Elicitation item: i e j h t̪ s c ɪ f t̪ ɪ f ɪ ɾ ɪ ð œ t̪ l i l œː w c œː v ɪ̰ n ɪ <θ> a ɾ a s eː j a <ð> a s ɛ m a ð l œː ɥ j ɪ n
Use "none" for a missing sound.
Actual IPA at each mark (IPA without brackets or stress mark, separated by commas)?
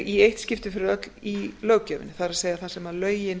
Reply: θ, θ